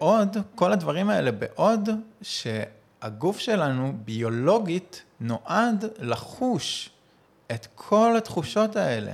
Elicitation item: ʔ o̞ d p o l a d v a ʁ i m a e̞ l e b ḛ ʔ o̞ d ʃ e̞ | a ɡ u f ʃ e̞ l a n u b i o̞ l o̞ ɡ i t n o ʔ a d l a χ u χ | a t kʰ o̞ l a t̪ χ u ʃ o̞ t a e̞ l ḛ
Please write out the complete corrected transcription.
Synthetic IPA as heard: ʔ o̞ d k o l a d v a ʁ i m a e̞ l e b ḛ ʔ o̞ d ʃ e̞ | a ɡ u f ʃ e̞ l a n u b i o̞ l o̞ ɡ i t n o ʔ a d l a χ u ʃ | e t kʰ o̞ l a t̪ χ u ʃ o̞ t a e̞ l ḛ